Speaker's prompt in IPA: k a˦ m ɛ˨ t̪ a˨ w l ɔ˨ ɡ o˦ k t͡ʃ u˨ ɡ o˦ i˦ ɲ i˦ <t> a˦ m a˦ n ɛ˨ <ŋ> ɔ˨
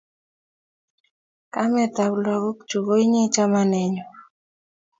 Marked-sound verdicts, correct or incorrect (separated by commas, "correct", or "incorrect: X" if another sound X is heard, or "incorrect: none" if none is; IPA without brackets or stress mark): incorrect: t͡ʃ, incorrect: ɲ